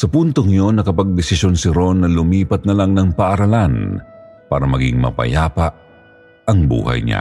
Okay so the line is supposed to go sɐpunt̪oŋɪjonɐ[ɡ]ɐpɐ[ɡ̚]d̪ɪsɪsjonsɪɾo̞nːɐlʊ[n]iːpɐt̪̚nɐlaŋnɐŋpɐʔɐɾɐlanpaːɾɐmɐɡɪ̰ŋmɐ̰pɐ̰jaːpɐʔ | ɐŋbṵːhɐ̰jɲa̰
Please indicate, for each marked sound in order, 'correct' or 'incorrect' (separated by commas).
incorrect, correct, incorrect